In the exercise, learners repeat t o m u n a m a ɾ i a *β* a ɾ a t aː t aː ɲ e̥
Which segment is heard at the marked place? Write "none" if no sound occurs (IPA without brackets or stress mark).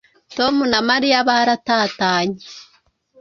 β